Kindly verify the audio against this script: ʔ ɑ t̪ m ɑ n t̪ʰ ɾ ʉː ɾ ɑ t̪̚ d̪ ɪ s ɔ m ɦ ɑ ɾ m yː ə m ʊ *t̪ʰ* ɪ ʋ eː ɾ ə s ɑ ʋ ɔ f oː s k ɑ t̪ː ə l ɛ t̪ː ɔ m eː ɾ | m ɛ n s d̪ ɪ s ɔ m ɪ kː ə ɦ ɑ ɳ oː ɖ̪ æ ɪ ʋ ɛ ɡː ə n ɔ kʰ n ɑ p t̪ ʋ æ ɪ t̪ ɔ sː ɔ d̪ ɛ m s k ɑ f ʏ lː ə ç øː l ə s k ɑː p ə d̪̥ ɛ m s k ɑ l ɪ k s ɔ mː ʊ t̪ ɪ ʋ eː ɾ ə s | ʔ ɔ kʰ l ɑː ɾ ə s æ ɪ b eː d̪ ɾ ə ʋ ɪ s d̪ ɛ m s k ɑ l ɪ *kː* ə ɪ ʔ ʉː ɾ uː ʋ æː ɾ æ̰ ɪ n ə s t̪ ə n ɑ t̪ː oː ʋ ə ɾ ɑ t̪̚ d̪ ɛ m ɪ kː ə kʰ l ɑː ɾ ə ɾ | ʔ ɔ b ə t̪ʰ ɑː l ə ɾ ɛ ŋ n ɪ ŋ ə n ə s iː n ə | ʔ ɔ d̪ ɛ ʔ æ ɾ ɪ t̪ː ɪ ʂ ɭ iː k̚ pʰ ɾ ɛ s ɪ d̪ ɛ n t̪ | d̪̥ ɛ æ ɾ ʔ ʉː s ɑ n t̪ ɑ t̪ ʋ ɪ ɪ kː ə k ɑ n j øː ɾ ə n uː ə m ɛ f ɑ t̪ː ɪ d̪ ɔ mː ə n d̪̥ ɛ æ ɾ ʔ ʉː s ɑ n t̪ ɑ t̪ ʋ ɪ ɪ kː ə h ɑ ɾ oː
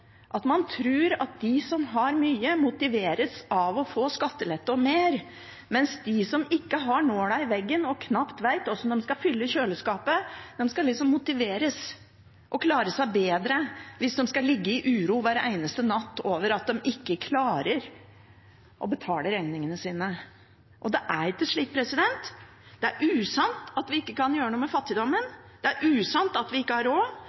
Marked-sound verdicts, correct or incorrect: incorrect, incorrect

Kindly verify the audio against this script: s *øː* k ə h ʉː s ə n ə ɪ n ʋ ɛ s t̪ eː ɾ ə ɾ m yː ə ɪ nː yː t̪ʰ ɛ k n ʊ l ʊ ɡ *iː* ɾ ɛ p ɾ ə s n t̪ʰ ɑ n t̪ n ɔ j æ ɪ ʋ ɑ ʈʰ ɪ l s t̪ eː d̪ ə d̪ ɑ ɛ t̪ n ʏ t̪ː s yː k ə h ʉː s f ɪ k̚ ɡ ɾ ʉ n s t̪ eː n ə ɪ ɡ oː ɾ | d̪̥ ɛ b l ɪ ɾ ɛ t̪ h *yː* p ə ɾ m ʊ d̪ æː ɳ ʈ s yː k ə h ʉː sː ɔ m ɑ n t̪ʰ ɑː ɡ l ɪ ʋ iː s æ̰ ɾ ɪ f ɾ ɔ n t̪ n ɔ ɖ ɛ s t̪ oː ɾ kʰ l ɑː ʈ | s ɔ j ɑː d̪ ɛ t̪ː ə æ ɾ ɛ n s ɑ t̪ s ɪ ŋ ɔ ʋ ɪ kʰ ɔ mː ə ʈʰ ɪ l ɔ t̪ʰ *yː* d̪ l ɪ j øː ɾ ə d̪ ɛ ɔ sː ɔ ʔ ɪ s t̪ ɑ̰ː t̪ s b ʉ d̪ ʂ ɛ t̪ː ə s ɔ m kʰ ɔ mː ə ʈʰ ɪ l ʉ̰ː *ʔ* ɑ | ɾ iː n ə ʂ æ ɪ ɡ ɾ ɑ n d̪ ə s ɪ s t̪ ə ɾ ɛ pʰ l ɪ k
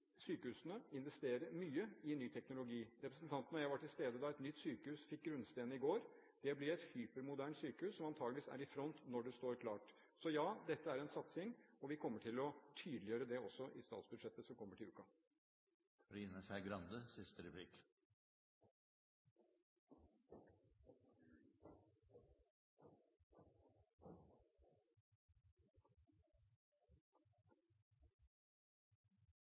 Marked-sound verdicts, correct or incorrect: incorrect, correct, correct, correct, incorrect

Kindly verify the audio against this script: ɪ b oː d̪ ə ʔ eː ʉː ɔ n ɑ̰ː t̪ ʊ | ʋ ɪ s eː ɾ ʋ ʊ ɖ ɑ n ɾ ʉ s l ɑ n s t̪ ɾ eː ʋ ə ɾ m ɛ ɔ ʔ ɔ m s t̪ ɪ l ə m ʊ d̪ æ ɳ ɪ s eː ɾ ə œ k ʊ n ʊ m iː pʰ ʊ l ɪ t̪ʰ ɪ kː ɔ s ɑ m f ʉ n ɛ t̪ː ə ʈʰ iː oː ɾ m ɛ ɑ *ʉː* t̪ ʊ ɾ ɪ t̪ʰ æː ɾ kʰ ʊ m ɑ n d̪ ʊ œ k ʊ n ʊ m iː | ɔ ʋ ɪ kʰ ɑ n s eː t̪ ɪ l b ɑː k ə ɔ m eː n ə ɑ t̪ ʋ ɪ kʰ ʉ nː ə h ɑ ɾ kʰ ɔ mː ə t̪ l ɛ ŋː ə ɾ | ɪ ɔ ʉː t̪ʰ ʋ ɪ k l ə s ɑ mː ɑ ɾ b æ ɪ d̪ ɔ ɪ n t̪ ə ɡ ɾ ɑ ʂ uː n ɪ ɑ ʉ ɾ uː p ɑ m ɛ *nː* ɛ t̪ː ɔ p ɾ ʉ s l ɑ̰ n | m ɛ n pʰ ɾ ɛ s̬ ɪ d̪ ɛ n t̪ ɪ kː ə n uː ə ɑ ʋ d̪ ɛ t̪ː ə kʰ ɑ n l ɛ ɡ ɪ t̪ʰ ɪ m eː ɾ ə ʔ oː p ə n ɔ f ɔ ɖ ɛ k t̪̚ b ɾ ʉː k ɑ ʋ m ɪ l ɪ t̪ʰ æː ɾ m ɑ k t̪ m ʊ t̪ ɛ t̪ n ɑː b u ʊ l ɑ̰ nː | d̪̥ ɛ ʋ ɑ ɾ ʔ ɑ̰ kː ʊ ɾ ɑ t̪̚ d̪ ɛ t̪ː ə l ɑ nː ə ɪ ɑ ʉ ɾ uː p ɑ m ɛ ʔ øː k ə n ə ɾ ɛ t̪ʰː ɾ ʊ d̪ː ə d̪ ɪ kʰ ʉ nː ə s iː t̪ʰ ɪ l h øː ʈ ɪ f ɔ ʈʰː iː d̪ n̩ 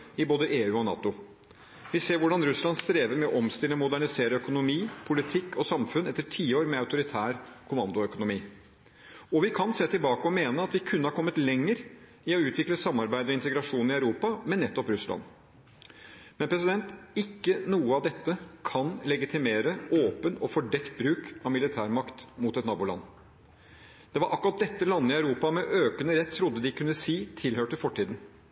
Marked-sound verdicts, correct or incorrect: incorrect, correct

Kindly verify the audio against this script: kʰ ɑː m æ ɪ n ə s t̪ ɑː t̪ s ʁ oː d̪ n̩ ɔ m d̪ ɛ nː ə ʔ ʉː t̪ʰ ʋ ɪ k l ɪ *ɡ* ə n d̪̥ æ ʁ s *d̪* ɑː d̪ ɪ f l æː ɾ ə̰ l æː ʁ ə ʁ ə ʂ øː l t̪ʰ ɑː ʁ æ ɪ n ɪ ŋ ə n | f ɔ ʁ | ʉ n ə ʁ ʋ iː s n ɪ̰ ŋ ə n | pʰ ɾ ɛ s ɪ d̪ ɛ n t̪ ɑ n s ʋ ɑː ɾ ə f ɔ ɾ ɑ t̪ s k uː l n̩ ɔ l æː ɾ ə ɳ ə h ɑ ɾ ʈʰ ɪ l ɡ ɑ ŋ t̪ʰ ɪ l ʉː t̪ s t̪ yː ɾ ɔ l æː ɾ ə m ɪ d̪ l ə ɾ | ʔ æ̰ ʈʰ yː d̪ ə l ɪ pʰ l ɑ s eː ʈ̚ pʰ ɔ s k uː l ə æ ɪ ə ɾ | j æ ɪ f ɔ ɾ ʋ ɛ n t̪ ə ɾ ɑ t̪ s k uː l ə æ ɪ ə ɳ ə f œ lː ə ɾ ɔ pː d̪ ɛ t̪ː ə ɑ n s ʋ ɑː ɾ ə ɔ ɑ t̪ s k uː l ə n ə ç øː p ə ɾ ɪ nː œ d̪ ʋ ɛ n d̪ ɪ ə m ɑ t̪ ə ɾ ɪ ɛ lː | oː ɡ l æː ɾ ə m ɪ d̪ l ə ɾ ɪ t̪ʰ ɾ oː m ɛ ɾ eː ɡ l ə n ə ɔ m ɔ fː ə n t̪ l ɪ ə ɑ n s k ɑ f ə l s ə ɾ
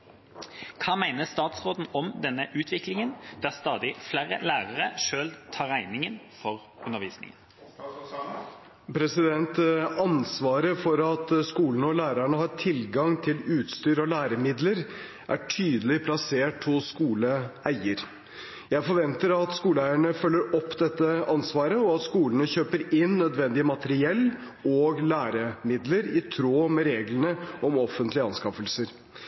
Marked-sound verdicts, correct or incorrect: incorrect, incorrect

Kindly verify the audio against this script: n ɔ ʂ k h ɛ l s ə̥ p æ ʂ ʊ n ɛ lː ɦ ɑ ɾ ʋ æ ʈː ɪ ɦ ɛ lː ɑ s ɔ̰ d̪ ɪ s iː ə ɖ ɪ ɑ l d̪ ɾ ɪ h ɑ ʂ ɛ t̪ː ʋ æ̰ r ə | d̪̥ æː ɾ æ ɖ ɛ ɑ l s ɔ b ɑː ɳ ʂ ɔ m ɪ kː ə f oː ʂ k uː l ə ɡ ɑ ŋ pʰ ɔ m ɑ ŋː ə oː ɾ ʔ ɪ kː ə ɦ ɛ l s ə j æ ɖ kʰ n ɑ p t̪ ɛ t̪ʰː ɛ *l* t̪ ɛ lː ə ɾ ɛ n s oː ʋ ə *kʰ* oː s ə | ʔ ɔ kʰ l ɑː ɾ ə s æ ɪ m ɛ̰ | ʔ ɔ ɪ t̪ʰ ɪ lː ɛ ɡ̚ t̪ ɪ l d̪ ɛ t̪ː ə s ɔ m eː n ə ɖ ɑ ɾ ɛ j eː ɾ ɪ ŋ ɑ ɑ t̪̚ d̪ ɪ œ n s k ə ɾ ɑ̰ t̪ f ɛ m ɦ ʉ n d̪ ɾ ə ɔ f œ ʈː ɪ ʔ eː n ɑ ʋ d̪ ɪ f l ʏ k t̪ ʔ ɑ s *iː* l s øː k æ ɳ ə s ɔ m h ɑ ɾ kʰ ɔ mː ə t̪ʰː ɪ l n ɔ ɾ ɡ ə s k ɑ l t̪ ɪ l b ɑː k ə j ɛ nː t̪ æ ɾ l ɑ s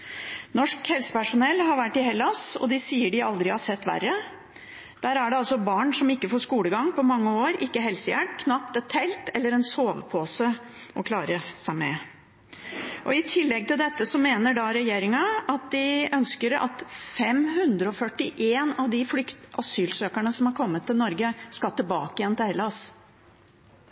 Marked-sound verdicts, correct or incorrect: correct, incorrect, incorrect

